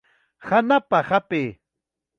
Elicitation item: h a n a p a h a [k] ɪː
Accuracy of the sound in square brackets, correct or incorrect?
incorrect